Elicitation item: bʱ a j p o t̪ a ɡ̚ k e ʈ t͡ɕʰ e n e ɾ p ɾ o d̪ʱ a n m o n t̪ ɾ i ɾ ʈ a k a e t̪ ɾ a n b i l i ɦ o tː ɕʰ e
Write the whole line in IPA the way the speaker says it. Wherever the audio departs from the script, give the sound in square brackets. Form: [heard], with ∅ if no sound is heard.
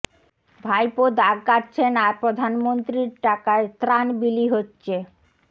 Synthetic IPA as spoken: bʱ a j p o [d̪] a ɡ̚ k [a] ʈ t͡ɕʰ e n [a] ɾ p ɾ o d̪ʱ a n m o n t̪ ɾ i ɾ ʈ a k a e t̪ ɾ a n b i l i ɦ o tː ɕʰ e